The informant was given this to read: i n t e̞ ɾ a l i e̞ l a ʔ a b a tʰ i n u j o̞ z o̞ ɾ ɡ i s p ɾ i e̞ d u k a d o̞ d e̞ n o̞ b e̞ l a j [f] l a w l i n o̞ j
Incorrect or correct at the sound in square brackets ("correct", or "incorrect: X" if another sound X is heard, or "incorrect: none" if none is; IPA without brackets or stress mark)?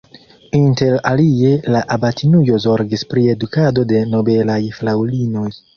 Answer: correct